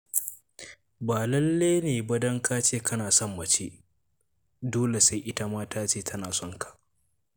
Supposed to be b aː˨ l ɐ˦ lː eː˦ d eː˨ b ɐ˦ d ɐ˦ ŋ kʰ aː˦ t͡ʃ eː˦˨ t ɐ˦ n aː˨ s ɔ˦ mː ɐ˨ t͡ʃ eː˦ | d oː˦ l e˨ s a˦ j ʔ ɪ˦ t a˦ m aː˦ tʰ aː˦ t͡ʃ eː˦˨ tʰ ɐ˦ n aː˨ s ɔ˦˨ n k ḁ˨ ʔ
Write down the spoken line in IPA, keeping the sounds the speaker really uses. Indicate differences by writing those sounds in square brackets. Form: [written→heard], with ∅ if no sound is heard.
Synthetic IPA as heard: b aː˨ l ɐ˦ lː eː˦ [d→n] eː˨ b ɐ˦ d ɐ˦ ŋ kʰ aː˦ t͡ʃ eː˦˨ [t→k] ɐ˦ n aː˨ s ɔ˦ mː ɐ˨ t͡ʃ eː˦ | d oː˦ l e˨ s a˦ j ʔ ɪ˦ t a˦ m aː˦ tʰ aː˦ t͡ʃ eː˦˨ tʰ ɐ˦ n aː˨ s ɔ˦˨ [n→ŋ] k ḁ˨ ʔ